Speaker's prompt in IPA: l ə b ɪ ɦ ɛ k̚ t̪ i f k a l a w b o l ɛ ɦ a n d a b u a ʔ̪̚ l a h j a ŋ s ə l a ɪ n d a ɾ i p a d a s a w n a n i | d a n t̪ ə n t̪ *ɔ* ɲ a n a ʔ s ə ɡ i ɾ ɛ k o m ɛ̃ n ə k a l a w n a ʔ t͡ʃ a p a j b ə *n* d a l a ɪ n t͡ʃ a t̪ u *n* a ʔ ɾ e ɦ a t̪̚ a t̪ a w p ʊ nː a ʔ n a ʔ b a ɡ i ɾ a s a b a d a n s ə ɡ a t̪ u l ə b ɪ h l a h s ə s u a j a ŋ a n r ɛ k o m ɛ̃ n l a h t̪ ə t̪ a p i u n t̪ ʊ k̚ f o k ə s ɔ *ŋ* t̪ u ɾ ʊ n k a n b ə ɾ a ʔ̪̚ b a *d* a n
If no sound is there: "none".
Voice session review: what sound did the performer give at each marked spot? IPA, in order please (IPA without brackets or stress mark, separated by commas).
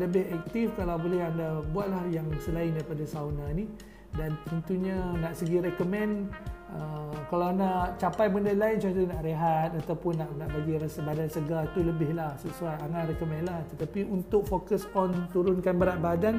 u, n, n, n, d